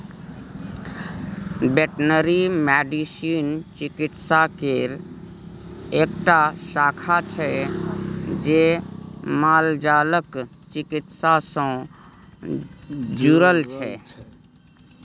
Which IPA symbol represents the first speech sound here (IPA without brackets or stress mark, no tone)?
b